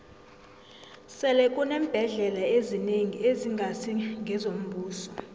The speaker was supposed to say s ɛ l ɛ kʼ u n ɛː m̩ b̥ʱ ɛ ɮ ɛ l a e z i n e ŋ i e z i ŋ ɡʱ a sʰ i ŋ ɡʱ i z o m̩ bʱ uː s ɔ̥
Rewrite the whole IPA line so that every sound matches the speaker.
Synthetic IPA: s ɛ l ɛ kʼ u n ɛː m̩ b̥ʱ ɛ ɮ ɛ l a e z i n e ŋ i e z i ŋ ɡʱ a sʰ i ŋ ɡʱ ɛ z o m̩ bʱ uː s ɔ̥